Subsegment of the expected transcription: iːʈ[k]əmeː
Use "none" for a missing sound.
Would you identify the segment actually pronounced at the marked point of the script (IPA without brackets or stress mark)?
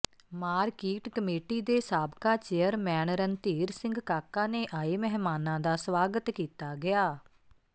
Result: k